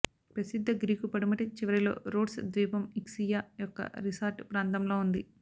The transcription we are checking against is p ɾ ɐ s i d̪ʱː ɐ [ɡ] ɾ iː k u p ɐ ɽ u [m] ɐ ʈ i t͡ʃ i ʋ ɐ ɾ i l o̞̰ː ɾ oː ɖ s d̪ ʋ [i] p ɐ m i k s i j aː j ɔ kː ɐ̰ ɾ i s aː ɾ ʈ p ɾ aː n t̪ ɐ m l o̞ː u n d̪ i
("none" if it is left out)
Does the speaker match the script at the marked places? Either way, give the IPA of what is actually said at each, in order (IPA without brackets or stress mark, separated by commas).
ɡ, m, iː